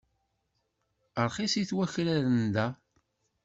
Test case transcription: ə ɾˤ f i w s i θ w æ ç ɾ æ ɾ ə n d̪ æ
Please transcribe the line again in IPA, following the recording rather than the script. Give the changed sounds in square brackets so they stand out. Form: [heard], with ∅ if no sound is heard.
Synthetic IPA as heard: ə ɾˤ [χ] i [∅] s i θ w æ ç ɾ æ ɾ ə n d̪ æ